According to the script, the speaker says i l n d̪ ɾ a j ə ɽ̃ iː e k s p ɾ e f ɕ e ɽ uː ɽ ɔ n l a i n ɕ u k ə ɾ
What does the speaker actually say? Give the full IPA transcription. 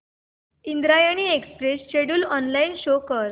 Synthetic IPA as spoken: i n d̪ ɾ a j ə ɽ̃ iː e k s p ɾ e s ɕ e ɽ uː l ɔ n l a i n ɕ o k ə ɾ